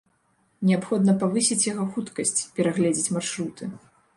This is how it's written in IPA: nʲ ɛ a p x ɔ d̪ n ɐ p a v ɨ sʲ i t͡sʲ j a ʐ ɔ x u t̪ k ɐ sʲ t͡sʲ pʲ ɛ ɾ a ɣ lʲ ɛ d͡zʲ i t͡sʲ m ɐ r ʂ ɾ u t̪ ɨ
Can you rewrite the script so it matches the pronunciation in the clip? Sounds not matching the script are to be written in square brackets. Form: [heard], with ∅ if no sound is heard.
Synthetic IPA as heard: nʲ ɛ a p x ɔ d̪ n ɐ p a v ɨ sʲ i t͡sʲ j a [ɣ] ɔ x u t̪ k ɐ sʲ t͡sʲ pʲ ɛ ɾ a ɣ lʲ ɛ d͡zʲ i t͡sʲ m [a] r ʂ ɾ u t̪ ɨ

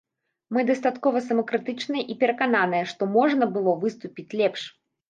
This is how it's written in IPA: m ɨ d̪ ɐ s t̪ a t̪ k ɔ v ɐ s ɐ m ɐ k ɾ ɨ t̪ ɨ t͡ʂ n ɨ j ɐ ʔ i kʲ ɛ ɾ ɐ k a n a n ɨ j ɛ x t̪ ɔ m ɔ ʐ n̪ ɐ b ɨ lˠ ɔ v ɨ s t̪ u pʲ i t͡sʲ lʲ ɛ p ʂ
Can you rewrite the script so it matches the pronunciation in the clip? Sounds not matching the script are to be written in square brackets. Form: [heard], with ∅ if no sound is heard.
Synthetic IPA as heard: m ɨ d̪ ɐ s t̪ a t̪ k ɔ v ɐ s ɐ m ɐ k ɾ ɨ t̪ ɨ t͡ʂ n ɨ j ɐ ʔ i [pʲ] ɛ ɾ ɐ k a n a n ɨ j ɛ [ʂ] t̪ ɔ m ɔ ʐ n̪ ɐ b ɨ lˠ ɔ v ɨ s t̪ u pʲ i t͡sʲ lʲ ɛ p ʂ

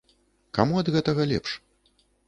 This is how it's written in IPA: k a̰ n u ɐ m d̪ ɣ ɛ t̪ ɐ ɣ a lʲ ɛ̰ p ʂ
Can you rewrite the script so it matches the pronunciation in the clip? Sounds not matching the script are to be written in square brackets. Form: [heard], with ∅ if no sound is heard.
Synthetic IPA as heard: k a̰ [m] u ɐ [∅] d̪ ɣ ɛ t̪ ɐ ɣ [ɐ] lʲ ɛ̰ p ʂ

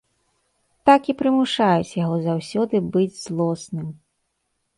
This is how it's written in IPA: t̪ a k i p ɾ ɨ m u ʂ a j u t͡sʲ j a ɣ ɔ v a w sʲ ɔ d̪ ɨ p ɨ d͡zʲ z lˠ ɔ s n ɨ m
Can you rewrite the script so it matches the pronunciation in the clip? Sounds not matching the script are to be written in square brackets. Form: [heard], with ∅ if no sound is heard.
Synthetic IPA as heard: t̪ a k i p ɾ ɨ m u ʂ a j u t͡sʲ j a ɣ ɔ [z] a w sʲ ɔ d̪ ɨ [b] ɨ d͡zʲ z lˠ ɔ s n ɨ m

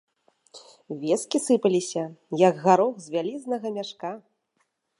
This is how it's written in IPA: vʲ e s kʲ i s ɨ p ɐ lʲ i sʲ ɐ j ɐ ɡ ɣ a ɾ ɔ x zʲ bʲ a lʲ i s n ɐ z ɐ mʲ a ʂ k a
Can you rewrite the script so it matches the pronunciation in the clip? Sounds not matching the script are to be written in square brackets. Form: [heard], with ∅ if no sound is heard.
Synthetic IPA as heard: vʲ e s kʲ i s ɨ p ɐ lʲ i sʲ ɐ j ɐ ɡ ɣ a ɾ ɔ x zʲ [vʲ] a lʲ i [z] n ɐ [ɣ] ɐ mʲ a ʂ k a

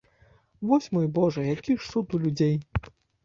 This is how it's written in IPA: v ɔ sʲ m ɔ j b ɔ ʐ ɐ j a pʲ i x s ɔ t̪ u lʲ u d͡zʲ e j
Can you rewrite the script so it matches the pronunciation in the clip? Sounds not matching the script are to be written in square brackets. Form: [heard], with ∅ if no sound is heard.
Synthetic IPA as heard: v ɔ sʲ m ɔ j b ɔ ʐ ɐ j a [kʲ] i [ʂ] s [u] t̪ u lʲ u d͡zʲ e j

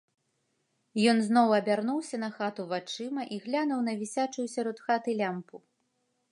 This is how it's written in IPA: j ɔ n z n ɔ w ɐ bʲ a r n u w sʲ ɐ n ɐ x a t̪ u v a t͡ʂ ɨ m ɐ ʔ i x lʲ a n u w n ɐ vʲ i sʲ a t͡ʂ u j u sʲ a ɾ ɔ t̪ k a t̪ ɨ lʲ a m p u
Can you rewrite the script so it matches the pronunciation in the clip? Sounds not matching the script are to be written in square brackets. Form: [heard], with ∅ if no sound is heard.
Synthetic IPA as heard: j ɔ n z n ɔ w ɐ bʲ a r n u w sʲ ɐ n ɐ x a t̪ u v a t͡ʂ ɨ m ɐ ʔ i [ɣ] lʲ a n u w n ɐ vʲ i sʲ a t͡ʂ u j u sʲ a ɾ ɔ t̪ [x] a t̪ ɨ lʲ a m p u

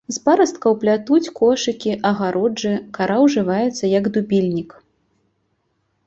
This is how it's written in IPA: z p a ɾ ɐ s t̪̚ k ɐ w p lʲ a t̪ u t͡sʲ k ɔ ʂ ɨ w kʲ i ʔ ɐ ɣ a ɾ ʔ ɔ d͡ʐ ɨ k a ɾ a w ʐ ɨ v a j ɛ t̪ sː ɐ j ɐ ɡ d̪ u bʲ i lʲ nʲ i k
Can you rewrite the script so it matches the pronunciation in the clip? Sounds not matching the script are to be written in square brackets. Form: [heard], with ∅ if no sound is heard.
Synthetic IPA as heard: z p a ɾ ɐ s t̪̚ k ɐ w p lʲ a t̪ u t͡sʲ k ɔ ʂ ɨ [∅] kʲ i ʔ ɐ ɣ a ɾ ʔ ɔ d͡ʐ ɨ k a ɾ a w ʐ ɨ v a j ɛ t̪ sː ɐ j ɐ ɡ d̪ u bʲ i lʲ nʲ i k

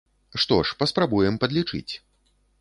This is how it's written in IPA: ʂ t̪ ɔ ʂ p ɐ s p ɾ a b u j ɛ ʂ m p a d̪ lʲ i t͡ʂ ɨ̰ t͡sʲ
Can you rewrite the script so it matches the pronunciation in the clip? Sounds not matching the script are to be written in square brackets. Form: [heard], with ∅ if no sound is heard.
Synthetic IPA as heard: ʂ t̪ ɔ ʂ p ɐ s p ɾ a b u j ɛ [∅] m p [ɐ] d̪ lʲ i t͡ʂ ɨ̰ t͡sʲ

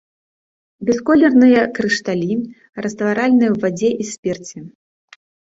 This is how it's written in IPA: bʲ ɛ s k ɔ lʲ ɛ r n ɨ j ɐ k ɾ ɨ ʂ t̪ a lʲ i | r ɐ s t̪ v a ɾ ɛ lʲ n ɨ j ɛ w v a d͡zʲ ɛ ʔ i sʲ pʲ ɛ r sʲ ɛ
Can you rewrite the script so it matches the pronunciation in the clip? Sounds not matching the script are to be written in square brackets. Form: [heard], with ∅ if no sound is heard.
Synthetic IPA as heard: bʲ ɛ s k ɔ lʲ ɛ r n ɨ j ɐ k ɾ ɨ ʂ t̪ a lʲ i | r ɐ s t̪ v a ɾ [a] lʲ n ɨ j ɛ w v a d͡zʲ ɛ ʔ i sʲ pʲ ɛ r [t͡sʲ] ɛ

